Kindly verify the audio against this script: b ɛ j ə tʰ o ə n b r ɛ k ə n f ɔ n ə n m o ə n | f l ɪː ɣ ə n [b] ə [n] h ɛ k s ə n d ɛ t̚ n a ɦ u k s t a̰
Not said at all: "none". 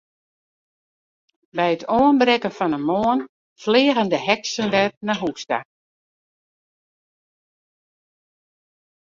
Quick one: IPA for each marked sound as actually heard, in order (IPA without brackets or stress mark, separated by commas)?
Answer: d, none